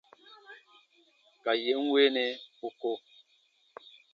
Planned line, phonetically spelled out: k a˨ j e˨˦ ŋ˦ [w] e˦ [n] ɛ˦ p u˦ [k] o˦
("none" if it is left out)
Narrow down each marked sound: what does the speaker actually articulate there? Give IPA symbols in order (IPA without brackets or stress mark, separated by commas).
w, n, k